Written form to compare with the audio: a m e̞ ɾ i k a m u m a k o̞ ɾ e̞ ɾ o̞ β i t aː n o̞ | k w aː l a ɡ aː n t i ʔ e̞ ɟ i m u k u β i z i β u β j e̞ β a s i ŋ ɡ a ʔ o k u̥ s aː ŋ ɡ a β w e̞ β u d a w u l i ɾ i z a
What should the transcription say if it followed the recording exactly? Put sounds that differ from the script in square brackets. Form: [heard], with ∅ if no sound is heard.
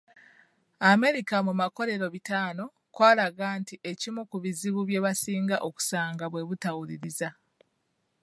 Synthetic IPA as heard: a m e̞ ɾ i k a m u m a k o̞ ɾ e̞ ɾ o̞ β i t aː n o̞ | k w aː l a ɡ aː n t i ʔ e̞ [c] i m u k u β i z i β u β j e̞ β a s [iː] ŋ ɡ a ʔ o k u̥ s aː ŋ ɡ a β w e̞ β u [t] a w u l i ɾ i z a